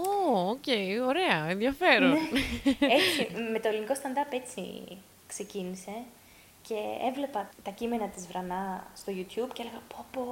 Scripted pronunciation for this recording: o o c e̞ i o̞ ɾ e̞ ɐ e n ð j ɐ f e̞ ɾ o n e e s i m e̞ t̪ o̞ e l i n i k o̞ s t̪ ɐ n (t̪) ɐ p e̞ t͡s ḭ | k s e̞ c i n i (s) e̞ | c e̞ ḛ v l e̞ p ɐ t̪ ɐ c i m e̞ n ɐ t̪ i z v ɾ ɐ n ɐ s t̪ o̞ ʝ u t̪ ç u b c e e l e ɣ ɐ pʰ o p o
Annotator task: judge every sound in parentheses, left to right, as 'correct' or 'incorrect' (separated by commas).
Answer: incorrect, correct